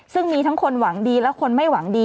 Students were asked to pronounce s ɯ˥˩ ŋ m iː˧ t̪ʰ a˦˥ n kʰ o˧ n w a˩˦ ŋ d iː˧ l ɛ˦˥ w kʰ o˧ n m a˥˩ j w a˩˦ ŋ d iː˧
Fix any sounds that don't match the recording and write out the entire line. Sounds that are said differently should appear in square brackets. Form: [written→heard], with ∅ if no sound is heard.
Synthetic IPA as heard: s ɯ˥˩ ŋ m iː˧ t̪ʰ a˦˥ [n→ŋ] kʰ o˧ n w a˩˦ ŋ d iː˧ l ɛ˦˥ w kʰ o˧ n m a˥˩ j w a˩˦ ŋ d iː˧